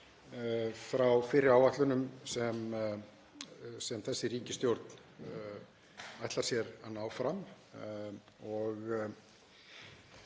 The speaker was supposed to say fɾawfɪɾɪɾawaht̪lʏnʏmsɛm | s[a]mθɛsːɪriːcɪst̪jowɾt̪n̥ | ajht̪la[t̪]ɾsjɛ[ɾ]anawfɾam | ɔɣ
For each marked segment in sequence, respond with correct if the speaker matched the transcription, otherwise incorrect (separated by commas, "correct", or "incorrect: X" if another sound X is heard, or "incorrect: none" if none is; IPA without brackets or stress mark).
incorrect: ɛ, incorrect: none, correct